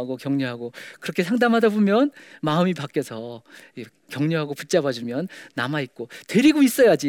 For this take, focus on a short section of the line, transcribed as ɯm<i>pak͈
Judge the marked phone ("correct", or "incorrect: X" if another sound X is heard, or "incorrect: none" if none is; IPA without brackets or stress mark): correct